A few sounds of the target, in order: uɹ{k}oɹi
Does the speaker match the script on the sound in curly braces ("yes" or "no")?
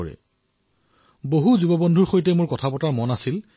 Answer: no